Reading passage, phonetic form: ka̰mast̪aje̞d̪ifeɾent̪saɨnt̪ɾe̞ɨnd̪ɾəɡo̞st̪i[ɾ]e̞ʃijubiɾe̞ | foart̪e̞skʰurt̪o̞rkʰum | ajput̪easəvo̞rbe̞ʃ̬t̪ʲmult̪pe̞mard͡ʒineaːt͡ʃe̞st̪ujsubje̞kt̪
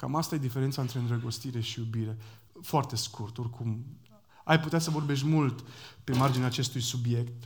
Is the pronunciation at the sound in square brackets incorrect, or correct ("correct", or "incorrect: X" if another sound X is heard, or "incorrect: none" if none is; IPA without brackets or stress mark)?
correct